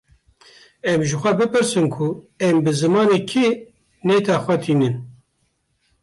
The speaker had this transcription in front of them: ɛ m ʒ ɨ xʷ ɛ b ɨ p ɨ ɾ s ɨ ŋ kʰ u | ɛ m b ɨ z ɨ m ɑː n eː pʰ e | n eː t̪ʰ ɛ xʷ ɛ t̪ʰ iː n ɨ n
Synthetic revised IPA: ɛ m ʒ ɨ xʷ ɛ b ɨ p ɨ ɾ s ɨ n kʰ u | ɛ m b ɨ z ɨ m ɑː n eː kʰ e | n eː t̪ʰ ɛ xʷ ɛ t̪ʰ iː n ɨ n